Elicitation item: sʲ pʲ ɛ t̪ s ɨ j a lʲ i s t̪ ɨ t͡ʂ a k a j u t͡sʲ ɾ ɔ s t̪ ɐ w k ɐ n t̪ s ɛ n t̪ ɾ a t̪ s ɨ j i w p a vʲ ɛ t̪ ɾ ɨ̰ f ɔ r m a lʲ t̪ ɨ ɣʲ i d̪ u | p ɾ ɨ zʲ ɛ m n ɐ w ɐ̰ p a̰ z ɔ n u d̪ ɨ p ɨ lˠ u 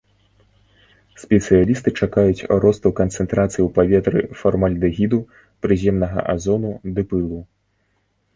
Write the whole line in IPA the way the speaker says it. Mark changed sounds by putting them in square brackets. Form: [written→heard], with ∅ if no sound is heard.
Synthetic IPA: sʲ pʲ ɛ t̪ s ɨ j a lʲ i s t̪ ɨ t͡ʂ a k a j u t͡sʲ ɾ ɔ s t̪ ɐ w k ɐ n t̪ s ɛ n t̪ ɾ a t̪ s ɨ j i w p a vʲ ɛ t̪ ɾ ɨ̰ f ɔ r m a lʲ [t̪→d̪] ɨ ɣʲ i d̪ u | p ɾ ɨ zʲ ɛ m n ɐ [w→ɣ] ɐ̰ [p→ʔ] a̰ z ɔ n u d̪ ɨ p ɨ lˠ u